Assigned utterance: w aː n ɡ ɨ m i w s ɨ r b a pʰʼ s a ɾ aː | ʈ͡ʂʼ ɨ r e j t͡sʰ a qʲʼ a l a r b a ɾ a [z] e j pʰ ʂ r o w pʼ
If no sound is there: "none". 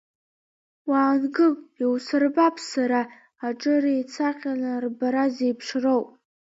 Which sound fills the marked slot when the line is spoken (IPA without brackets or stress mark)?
z